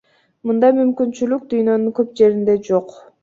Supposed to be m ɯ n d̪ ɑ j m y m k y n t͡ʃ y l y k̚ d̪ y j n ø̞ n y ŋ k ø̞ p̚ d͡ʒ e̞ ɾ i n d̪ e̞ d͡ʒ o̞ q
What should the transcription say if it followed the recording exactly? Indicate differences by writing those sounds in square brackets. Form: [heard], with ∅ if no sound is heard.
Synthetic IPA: m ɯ n d̪ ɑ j m y m k y n t͡ʃ y l y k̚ d̪ y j n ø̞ n y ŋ k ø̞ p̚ d͡ʒ e̞ ɾ i n d̪ e̞ d͡ʒ o̞ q